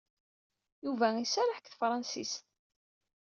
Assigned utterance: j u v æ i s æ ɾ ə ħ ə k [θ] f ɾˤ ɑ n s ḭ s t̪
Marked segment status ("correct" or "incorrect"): correct